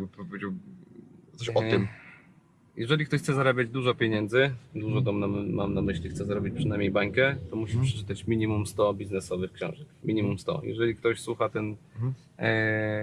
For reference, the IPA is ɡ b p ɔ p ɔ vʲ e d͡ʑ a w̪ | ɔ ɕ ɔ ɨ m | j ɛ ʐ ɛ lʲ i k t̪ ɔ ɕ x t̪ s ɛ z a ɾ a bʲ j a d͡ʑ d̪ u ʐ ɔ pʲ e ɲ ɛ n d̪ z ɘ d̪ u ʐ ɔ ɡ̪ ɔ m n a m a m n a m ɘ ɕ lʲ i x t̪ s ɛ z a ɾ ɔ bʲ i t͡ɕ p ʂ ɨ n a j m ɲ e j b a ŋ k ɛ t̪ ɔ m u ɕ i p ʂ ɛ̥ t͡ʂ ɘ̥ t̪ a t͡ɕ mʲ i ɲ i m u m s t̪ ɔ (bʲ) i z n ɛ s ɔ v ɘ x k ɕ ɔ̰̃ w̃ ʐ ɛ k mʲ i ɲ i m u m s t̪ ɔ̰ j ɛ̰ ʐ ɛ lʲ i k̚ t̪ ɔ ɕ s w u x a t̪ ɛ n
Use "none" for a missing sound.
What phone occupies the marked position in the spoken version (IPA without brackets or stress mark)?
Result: bʲ